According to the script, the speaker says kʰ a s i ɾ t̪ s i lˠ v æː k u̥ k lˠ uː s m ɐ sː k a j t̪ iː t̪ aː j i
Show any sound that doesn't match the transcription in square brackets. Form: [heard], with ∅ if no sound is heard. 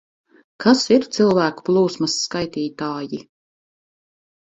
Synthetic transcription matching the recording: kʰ a s i ɾ t̪ s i lˠ v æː k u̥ [p] lˠ uː s m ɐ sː k a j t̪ iː t̪ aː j i